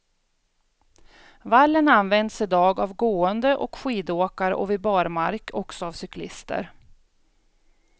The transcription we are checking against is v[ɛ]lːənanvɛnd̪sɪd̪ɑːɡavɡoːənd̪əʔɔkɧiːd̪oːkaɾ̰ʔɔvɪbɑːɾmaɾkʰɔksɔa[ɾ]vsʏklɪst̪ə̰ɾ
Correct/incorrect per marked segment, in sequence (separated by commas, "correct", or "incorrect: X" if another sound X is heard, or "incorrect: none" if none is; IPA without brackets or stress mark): incorrect: a, incorrect: none